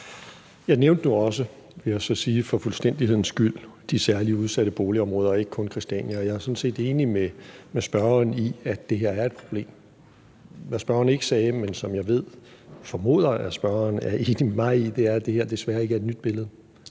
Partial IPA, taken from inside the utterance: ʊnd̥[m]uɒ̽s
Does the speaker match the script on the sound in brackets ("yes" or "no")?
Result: no